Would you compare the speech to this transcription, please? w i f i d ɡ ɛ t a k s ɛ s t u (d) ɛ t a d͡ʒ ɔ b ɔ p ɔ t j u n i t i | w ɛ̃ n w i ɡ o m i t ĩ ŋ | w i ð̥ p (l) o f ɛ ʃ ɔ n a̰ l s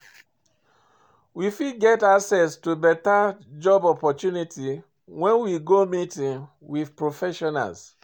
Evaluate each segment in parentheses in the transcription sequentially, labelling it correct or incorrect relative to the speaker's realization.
incorrect, incorrect

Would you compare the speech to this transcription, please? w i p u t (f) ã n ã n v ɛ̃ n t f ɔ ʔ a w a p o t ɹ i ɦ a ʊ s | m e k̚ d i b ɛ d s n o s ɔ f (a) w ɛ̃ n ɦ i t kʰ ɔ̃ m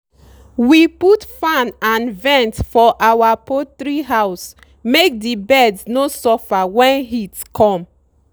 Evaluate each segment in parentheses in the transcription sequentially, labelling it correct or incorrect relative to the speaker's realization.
correct, correct

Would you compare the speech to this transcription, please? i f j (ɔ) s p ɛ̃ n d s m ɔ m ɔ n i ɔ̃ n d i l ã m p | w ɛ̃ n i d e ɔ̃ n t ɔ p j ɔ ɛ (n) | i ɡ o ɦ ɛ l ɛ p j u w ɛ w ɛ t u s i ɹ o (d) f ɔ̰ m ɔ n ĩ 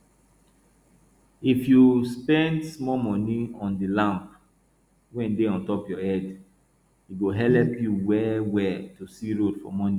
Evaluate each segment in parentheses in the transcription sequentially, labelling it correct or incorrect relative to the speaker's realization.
incorrect, incorrect, correct

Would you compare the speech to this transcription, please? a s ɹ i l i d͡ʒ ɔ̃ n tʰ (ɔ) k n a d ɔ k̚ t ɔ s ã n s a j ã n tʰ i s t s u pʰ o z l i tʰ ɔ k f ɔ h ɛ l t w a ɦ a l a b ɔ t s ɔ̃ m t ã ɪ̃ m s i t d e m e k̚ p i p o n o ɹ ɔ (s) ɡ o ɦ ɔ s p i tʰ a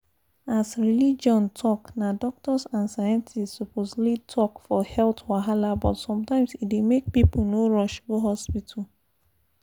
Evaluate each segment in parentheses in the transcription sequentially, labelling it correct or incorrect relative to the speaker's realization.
correct, incorrect

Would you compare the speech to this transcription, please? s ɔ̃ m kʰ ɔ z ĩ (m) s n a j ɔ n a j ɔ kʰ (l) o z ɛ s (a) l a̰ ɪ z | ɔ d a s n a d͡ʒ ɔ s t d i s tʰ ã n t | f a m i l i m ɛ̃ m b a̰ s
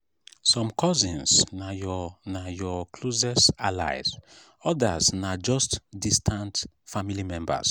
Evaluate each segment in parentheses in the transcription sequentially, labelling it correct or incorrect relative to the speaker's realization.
incorrect, correct, correct

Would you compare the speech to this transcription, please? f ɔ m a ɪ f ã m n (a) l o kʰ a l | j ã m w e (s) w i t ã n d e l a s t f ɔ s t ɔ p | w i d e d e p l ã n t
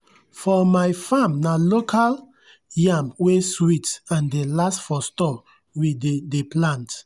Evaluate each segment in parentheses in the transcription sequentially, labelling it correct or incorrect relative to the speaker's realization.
correct, correct

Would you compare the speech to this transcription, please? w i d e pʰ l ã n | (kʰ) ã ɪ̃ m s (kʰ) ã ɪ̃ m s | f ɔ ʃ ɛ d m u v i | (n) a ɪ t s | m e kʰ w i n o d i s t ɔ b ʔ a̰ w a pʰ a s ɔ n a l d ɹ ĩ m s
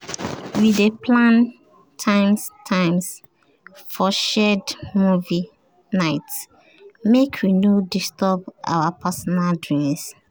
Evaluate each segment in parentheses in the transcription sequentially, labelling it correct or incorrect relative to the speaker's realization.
incorrect, incorrect, correct

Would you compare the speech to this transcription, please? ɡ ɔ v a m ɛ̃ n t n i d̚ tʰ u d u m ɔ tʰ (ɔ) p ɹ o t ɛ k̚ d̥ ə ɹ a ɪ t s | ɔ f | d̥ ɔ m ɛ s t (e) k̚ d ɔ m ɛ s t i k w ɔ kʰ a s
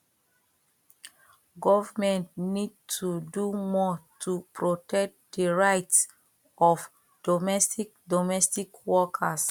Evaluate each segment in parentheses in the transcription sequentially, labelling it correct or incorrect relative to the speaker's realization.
incorrect, incorrect

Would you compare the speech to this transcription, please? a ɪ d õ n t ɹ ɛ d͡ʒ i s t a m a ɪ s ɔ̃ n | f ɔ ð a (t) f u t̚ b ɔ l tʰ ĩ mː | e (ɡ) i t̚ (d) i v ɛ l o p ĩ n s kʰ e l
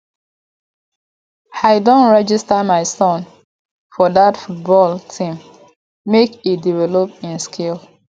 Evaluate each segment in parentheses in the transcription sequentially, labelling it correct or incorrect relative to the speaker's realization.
correct, incorrect, correct

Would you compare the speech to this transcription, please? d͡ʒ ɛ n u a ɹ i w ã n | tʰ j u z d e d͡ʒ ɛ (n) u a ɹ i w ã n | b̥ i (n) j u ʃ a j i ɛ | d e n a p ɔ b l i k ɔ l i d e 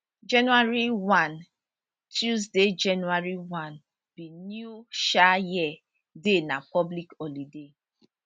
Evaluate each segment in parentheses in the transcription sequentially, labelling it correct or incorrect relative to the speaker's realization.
correct, correct

